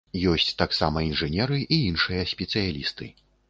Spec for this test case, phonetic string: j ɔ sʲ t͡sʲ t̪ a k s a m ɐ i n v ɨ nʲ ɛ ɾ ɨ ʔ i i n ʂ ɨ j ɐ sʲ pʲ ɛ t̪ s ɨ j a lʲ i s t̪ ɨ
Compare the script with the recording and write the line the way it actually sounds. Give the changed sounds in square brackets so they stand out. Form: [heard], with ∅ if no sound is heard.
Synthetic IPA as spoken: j ɔ sʲ t͡sʲ t̪ a k s a m ɐ i n [ʐ] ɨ nʲ ɛ ɾ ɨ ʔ i i n ʂ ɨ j ɐ sʲ pʲ ɛ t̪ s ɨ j a lʲ i s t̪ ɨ